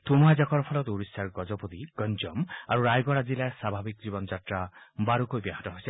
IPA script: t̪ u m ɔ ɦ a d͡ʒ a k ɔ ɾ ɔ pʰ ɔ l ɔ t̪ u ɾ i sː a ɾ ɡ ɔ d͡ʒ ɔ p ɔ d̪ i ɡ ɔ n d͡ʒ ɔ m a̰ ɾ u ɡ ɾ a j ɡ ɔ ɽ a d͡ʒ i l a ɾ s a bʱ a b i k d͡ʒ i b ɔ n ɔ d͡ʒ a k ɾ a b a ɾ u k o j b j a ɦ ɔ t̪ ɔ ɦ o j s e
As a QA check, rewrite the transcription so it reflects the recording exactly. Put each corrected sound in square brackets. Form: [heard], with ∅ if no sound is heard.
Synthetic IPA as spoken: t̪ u m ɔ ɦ a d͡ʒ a k ɔ ɾ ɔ pʰ ɔ l ɔ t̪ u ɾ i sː a ɾ ɡ ɔ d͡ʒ ɔ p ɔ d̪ i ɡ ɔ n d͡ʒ ɔ m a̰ ɾ u [∅] ɾ a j ɡ ɔ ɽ a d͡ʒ i l a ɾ s a bʱ a b i k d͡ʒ i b ɔ n ɔ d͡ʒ a [t] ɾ a b a ɾ u k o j b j a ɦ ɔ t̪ ɔ ɦ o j s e